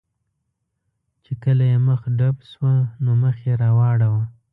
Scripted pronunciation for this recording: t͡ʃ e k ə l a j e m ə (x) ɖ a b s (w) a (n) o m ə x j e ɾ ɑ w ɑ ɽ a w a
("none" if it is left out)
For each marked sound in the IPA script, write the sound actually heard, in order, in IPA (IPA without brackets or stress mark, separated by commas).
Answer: x, w, n